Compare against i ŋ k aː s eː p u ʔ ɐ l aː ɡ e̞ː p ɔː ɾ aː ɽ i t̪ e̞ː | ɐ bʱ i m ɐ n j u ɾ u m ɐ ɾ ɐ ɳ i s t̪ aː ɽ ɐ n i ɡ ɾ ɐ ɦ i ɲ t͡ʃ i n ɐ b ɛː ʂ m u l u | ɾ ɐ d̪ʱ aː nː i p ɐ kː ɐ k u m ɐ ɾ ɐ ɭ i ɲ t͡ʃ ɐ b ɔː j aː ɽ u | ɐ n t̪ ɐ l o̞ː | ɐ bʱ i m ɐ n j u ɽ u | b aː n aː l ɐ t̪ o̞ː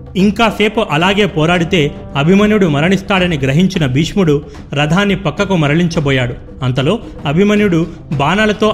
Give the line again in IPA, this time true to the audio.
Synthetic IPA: i ŋ k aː s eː p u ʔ ɐ l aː ɡ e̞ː p ɔː ɾ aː ɽ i t̪ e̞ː | ɐ bʱ i m ɐ n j u ɽ u m ɐ ɾ ɐ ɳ i s t̪ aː ɽ ɐ n i ɡ ɾ ɐ ɦ i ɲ t͡ʃ i n ɐ b iː ʂ m u ɽ u | ɾ ɐ d̪ʱ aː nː i p ɐ kː ɐ k u m ɐ ɾ ɐ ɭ i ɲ t͡ʃ ɐ b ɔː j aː ɽ u | ɐ n t̪ ɐ l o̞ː | ɐ bʱ i m ɐ n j u ɽ u | b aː n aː l ɐ t̪ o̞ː